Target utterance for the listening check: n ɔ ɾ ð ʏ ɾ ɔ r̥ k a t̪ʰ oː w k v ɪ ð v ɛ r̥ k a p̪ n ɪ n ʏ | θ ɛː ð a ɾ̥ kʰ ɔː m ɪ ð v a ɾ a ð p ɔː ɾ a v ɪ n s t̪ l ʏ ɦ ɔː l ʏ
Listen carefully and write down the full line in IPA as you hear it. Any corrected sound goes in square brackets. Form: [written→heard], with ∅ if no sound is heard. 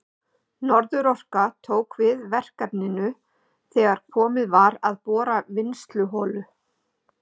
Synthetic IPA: n ɔ ɾ ð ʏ ɾ ɔ r̥ k a t̪ʰ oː w k v ɪ ð v ɛ r̥ k a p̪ n ɪ n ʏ | θ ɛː [ð→ɣ] a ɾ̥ kʰ ɔː m ɪ ð v a ɾ a ð p ɔː ɾ a v ɪ n s t̪ l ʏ ɦ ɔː l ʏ